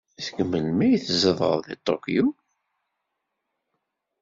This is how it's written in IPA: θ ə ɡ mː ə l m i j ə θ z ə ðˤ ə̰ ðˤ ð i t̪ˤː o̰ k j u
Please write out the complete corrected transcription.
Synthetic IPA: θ ə ɡ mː ə l m æ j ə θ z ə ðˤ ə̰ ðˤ ð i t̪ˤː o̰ k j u

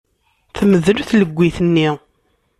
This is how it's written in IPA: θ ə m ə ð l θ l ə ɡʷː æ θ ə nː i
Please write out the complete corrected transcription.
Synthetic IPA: θ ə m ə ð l θ l ə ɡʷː i θ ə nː i

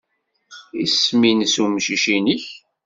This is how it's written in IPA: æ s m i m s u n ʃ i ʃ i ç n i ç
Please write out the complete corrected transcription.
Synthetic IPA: i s m i n s u m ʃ i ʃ i n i ç

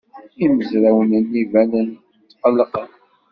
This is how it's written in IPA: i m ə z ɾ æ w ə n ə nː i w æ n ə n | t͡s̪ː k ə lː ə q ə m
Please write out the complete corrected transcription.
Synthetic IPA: i m ə z ɾ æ w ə n ə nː i v æ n ə n | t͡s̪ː q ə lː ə q ə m

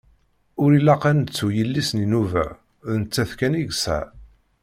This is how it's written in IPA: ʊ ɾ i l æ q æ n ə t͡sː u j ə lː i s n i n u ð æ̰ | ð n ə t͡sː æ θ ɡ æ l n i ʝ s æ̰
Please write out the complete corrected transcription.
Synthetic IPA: ʊ ɾ i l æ q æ n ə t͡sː u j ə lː i s n i n u v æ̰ | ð n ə t͡sː æ θ k æ n i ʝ s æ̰

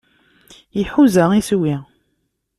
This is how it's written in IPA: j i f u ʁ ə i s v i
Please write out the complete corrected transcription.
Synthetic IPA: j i ħ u z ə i s w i

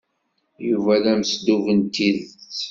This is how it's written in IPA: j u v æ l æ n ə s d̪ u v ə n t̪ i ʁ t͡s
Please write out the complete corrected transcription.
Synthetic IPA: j u v æ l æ m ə s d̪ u v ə n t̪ i ð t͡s

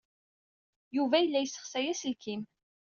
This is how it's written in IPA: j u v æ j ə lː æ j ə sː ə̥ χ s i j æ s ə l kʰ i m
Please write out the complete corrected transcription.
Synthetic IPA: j u v æ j ə lː æ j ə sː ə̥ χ s æ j æ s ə l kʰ i m

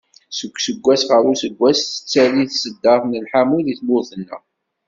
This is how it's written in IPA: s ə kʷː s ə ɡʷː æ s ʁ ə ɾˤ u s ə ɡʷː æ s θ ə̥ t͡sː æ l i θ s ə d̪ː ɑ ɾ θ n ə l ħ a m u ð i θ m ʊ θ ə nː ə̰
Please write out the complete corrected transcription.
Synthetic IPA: s ə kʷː s ə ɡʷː æ s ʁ ə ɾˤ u s ə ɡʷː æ s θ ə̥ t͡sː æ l i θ s ə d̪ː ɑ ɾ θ n ə l ħ a m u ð i θ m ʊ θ ə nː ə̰

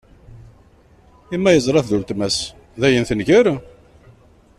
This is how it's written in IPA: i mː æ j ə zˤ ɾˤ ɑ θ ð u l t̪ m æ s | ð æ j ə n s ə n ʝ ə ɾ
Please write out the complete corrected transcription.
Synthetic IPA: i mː æ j ə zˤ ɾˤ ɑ θ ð u l t̪ m æ s | ð æ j ə n θ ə n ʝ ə ɾ

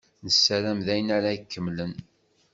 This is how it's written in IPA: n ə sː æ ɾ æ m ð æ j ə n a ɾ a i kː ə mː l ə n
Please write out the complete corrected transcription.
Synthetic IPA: n ə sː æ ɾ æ m ð æ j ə n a ɾ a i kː ə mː l ə n

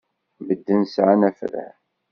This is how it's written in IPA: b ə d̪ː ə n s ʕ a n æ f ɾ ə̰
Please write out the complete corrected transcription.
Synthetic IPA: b ə d̪ː ə n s ʕ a n æ f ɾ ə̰

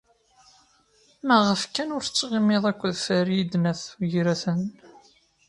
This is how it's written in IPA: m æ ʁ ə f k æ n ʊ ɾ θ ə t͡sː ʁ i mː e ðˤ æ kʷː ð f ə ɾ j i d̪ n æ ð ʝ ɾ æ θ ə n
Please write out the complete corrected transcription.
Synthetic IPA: m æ ʁ ə f k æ n ʊ ɾ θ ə t͡sː ʁ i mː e ðˤ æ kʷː ð f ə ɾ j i d̪ n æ θ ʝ ɾ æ θ ə n

